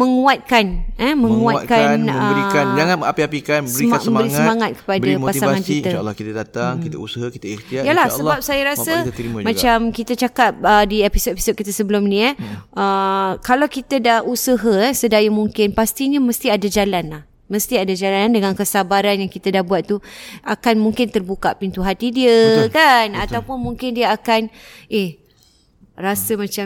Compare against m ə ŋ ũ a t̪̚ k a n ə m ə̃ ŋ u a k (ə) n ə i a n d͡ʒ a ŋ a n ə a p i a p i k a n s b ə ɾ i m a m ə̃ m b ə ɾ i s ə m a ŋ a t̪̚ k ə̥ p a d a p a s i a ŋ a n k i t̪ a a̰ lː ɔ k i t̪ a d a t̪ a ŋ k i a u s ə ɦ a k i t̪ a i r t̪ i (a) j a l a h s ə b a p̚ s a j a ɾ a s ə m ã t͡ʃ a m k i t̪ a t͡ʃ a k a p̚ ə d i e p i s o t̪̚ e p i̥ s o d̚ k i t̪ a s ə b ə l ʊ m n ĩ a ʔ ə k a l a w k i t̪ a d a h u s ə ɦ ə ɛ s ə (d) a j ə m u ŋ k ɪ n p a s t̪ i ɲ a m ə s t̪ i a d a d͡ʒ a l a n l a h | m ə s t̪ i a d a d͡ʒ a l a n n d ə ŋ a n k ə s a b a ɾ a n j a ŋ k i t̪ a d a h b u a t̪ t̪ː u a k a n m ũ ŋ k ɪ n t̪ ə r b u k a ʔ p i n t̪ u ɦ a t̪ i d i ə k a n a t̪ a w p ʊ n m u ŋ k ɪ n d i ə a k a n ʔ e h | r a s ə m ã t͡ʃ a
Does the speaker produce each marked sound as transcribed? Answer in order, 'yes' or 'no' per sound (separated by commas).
no, yes, yes